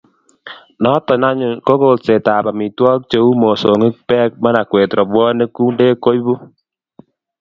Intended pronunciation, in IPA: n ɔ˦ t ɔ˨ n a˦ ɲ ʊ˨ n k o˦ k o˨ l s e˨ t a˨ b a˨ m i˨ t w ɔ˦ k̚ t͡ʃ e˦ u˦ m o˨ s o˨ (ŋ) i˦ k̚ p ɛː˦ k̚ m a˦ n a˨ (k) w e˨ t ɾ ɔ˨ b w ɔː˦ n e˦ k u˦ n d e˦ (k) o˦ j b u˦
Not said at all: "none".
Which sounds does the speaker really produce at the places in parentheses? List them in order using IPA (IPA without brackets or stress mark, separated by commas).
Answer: ŋ, k, k